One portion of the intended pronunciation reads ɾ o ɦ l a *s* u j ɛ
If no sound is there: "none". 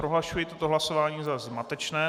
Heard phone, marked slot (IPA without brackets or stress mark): ʃ